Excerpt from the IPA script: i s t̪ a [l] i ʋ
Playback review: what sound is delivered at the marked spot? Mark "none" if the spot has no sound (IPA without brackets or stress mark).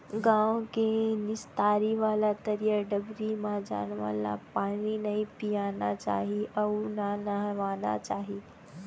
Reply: ɾ